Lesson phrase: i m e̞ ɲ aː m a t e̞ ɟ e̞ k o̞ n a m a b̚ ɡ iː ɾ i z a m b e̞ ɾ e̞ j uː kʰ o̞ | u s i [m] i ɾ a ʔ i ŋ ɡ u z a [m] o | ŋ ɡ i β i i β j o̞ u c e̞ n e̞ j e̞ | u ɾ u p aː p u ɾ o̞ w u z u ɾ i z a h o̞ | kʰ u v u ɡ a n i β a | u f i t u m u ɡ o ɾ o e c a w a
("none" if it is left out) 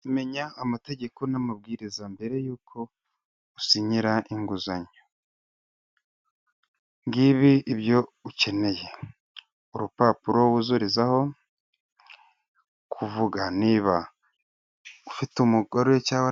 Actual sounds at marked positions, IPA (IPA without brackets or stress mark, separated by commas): ɲ, ɲ